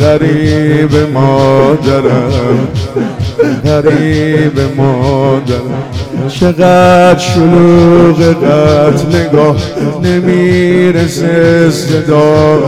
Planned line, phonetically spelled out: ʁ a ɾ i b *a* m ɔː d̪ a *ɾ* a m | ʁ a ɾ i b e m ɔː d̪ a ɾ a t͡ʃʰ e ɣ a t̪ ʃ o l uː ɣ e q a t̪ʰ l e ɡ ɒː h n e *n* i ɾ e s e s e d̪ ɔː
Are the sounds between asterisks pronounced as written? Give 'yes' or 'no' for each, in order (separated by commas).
no, yes, no